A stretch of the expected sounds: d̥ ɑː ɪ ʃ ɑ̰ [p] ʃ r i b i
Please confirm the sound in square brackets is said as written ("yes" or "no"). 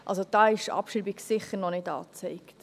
yes